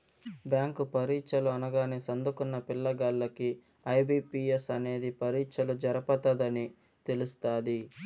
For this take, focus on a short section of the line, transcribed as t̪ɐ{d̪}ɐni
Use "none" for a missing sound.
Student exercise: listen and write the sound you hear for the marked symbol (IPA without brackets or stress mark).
d̪